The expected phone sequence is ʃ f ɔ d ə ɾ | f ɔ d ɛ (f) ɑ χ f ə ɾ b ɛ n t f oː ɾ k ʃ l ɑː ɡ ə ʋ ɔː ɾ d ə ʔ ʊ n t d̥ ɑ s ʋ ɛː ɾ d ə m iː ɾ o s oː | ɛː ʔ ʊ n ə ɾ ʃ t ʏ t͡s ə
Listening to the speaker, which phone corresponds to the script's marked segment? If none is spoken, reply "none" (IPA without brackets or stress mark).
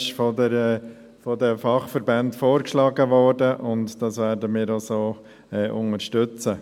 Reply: f